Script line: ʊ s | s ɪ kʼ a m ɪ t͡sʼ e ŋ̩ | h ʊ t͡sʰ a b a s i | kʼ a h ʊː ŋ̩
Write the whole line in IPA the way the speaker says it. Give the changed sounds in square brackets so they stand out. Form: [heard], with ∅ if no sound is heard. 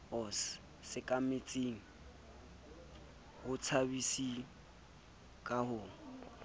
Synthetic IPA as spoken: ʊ s | s ɪ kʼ a m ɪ t͡sʼ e ŋ̩ | h ʊ t͡sʰ a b [i] s i | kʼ a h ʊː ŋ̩